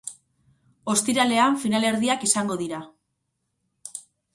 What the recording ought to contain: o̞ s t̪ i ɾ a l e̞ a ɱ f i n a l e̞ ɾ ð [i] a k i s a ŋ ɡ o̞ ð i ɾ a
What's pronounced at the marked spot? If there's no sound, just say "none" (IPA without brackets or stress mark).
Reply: i